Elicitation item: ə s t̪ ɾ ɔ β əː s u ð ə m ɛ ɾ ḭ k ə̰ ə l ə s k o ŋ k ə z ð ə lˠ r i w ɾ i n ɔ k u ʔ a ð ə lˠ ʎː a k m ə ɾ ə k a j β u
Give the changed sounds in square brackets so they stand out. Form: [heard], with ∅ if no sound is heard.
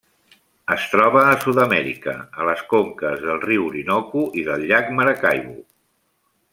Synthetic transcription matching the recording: ə s t̪ ɾ ɔ β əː s u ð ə m ɛ ɾ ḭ k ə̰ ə l ə s k o ŋ k ə z ð ə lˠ r i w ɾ i n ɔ k u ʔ [i] ð ə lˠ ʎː a k m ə ɾ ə k a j β u